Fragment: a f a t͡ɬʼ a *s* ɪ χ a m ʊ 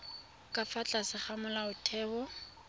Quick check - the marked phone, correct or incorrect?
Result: correct